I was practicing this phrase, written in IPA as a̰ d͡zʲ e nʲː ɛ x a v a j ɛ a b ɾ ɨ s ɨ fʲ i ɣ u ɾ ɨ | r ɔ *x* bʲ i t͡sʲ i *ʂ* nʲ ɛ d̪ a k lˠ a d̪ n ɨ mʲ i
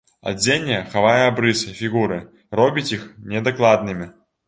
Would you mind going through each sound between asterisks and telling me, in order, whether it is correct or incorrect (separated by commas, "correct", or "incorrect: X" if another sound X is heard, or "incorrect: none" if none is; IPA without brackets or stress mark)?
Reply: incorrect: none, incorrect: x